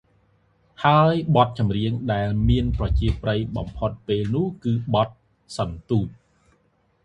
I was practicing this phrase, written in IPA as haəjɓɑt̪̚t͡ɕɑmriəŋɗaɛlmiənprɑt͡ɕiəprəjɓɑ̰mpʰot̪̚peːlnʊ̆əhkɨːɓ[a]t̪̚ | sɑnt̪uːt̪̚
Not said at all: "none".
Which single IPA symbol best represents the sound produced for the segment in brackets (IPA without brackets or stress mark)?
ɑ